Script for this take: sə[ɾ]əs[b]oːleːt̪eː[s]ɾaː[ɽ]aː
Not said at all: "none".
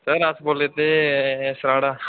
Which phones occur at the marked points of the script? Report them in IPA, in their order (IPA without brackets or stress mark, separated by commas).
ɾ, b, s, ɽ